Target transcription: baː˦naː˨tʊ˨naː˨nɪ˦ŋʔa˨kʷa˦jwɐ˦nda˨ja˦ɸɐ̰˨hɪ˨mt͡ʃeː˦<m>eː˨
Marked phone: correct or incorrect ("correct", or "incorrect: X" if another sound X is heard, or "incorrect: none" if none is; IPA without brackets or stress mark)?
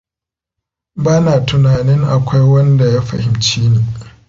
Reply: incorrect: n